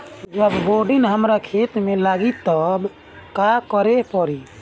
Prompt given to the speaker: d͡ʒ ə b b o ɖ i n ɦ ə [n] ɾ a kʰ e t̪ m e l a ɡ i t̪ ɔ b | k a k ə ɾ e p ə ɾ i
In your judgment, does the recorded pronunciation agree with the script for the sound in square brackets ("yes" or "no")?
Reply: no